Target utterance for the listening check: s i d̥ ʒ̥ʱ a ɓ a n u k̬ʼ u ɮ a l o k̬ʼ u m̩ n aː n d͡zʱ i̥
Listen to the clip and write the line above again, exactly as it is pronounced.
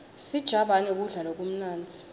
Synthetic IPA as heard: s i d̥ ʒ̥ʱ a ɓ a n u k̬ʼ u ɮ a l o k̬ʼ u m̩ n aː n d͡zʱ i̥

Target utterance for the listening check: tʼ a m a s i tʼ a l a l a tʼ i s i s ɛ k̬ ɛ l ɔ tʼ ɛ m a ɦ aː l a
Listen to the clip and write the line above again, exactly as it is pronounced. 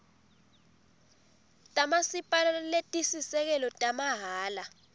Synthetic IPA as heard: tʼ a m a s i pʼ a l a l e tʼ i s i s ɛ k̬ ɛ l ɔ tʼ a m a ɦ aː l a

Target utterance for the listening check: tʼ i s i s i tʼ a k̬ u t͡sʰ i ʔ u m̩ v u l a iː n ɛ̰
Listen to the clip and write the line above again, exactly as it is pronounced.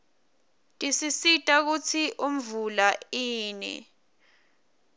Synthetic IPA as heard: tʼ i s i s i tʼ a k̬ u t͡sʰ i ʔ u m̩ v u l a iː n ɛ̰

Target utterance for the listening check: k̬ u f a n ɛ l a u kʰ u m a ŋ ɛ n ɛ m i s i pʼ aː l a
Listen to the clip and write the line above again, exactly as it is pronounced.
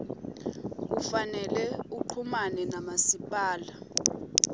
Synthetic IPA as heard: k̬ u f a n ɛ l ɛ u ǃʰ u m a n ɛ n a m a s i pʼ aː l a

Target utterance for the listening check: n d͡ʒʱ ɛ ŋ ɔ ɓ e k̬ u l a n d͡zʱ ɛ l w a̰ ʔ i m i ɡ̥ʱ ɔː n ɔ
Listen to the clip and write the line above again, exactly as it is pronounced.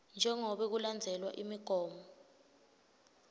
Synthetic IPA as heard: n d͡ʒʱ ɛ ŋ ɔ ɓ ɛ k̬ u l a n d͡zʱ ɛ l w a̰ ʔ i m i ɡ̥ʱ ɔː m ɔ

